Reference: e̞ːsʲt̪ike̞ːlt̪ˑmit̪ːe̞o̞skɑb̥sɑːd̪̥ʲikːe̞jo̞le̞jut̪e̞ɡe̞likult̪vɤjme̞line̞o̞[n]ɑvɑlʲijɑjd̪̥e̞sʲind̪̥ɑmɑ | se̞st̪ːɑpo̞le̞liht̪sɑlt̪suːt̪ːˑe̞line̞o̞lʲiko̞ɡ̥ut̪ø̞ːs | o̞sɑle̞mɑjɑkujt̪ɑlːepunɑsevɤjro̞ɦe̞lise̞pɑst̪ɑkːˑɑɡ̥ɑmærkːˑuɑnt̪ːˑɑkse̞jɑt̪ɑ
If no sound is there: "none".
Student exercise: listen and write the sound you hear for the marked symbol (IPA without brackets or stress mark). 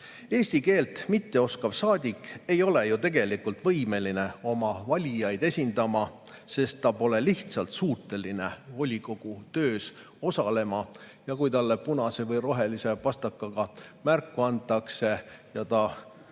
m